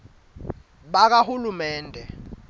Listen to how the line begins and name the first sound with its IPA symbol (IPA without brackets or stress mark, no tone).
ɓ